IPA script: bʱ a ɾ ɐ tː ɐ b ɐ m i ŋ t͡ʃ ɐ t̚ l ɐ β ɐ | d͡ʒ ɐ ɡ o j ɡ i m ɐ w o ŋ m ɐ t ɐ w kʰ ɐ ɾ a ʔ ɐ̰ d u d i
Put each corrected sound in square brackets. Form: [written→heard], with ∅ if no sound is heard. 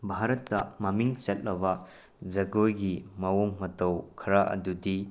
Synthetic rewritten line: bʱ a ɾ ɐ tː ɐ [b→m] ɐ m i ŋ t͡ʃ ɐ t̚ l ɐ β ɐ | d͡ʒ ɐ ɡ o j ɡ i m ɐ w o ŋ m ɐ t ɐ w kʰ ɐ ɾ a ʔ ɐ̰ d u d i